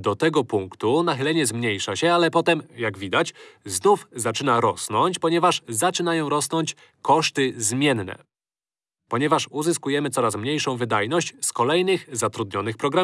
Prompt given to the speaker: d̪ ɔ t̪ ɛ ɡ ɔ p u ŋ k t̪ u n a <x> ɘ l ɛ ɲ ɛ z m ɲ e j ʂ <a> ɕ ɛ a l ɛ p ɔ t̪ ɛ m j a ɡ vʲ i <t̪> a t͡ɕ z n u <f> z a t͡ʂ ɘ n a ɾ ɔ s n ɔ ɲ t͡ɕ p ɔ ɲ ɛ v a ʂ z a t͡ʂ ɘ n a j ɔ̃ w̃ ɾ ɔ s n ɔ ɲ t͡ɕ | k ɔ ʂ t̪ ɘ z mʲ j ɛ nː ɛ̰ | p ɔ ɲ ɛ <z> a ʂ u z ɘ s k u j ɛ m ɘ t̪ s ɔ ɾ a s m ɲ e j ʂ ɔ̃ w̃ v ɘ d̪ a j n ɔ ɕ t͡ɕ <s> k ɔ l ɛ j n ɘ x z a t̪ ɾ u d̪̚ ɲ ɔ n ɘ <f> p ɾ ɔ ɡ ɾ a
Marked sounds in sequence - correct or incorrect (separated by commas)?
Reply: correct, correct, incorrect, correct, incorrect, correct, incorrect